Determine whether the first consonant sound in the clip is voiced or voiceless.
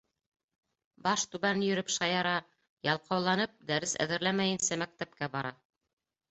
voiced